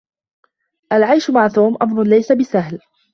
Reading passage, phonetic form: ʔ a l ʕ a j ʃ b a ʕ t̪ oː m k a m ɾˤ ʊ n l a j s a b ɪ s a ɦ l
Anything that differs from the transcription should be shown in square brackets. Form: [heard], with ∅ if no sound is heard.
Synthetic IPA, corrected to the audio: ʔ a l ʕ a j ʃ [m] a ʕ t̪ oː m [ʔ] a m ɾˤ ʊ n l a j s a b ɪ s a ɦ l